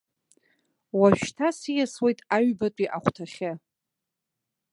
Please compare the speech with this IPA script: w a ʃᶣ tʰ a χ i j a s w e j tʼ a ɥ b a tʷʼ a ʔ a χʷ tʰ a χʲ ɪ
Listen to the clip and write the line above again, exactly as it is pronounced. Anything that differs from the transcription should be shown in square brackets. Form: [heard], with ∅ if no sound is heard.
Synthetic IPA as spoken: w a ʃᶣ tʰ a [s] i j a s w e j tʼ a ɥ b a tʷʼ [i] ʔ a χʷ tʰ a χʲ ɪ